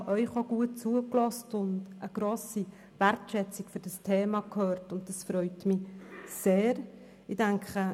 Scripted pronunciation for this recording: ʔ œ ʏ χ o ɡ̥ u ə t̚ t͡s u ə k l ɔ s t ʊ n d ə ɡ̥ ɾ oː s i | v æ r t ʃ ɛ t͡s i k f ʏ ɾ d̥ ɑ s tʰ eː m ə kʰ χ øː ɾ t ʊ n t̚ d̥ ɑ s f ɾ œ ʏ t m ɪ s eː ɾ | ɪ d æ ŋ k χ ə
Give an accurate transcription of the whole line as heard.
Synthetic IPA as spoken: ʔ œ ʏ χ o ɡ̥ u ə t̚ t͡s u ə k l ɔ s t ʊ n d ə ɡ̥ ɾ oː s i | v æ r t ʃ ɛ t͡s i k f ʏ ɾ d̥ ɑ s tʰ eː m ɑ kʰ h øː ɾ t ʊ n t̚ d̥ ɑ s f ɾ œ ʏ t m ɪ s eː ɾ | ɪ d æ ŋ k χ ə